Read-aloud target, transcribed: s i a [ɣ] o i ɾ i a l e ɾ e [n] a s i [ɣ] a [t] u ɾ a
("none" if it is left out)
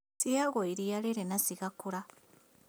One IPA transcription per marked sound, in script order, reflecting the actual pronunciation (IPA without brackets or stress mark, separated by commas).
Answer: ɣ, n, ɣ, k